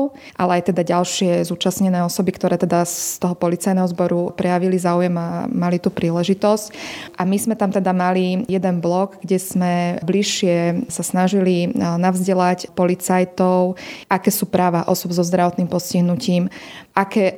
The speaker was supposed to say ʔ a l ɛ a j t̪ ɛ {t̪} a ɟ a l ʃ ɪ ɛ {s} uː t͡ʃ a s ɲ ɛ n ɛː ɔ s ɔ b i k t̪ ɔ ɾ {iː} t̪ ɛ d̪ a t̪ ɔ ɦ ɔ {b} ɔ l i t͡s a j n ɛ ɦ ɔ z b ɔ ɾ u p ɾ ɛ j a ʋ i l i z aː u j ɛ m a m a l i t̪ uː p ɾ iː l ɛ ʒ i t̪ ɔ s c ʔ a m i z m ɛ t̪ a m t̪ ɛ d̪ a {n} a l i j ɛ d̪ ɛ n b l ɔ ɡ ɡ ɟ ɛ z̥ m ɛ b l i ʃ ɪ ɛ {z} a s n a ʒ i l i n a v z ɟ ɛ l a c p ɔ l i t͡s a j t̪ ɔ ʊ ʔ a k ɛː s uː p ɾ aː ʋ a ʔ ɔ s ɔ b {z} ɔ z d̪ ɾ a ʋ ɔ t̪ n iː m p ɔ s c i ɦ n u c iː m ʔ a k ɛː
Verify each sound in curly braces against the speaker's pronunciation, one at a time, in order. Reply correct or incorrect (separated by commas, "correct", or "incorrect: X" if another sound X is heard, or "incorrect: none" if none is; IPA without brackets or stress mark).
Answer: incorrect: d̪, incorrect: z, incorrect: ɛː, incorrect: p, incorrect: m, incorrect: s, correct